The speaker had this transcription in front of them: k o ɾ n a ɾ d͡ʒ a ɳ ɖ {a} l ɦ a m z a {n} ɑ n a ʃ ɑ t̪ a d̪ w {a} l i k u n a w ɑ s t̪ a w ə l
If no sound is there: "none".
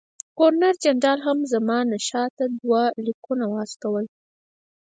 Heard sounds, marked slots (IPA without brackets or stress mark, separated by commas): ɑ, m, a